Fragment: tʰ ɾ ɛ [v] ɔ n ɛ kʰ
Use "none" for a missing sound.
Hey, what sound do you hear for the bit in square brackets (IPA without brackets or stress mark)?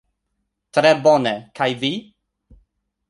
b